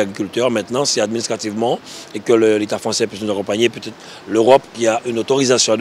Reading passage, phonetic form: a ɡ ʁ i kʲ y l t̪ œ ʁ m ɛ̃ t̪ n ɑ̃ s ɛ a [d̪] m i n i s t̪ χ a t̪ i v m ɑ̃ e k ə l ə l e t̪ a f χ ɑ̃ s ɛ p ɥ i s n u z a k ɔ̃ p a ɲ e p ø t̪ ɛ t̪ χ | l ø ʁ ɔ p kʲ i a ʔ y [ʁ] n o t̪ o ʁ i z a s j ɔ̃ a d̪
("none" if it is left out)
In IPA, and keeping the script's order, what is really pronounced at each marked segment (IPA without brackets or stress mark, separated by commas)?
d̪, none